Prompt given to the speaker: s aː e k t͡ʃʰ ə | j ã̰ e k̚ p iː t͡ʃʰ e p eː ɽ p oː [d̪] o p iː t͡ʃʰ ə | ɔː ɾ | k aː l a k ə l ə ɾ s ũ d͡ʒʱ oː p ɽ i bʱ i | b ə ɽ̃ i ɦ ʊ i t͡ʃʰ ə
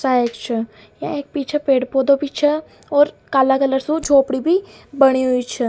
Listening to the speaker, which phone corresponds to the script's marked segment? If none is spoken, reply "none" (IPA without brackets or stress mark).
d̪